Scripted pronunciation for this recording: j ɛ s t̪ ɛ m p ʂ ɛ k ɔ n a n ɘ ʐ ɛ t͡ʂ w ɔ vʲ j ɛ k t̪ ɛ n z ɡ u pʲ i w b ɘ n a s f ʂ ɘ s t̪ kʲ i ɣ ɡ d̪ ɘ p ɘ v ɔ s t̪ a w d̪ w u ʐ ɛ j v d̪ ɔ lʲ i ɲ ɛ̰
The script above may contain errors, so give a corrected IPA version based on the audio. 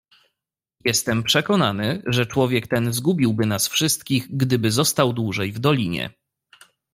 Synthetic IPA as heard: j ɛ s t̪ ɛ m p ʂ ɛ k ɔ n a n ɘ ʐ ɛ t͡ʂ w ɔ vʲ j ɛ k t̪ ɛ n z ɡ u bʲ i w b ɘ n a s f ʂ ɘ s t̪ kʲ i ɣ ɡ d̪ ɘ b ɘ z ɔ s t̪ a w d̪ w u ʐ ɛ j v d̪ ɔ lʲ i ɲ ɛ̰